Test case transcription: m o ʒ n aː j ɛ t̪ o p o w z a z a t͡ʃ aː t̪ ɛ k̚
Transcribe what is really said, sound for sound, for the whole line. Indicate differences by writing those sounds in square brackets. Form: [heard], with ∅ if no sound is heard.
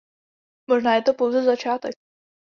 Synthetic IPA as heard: m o ʒ n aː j ɛ t̪ o p o w z [ɛ] z a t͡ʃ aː t̪ ɛ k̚